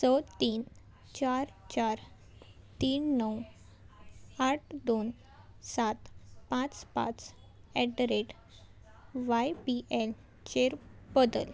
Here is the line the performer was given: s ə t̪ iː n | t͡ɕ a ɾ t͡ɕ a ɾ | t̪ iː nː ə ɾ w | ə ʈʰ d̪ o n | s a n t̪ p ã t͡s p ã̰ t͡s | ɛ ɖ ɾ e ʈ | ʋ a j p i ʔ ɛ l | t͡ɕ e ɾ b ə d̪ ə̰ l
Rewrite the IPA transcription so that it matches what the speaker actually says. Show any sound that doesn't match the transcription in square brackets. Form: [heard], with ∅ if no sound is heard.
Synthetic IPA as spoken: s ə t̪ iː n | t͡ɕ a ɾ t͡ɕ a ɾ | t̪ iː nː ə [∅] w | [a] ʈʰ d̪ o n | s a [∅] t̪ p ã t͡s p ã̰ t͡s | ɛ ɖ ɾ e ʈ | ʋ a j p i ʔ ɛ l | t͡ɕ e ɾ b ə d̪ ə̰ l